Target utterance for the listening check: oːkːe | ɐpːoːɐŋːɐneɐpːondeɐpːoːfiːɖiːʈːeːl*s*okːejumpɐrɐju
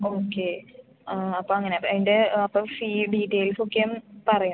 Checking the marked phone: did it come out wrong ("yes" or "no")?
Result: no